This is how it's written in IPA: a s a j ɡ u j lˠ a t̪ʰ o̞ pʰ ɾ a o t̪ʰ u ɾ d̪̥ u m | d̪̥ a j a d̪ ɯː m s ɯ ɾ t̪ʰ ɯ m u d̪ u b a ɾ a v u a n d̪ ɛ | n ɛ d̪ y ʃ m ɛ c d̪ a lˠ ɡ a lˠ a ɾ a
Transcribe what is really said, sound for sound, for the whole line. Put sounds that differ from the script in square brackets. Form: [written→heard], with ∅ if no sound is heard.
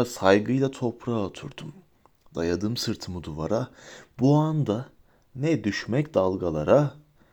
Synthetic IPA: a s a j ɡ [u→ɯ] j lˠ a t̪ʰ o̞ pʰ ɾ a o t̪ʰ u ɾ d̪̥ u m | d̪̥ a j a d̪ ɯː m s ɯ ɾ t̪ʰ ɯ m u d̪ u [b→v] a ɾ a [v→b] u a n d̪ [ɛ→a] | n ɛ d̪ y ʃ m ɛ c d̪ a lˠ ɡ a lˠ a ɾ a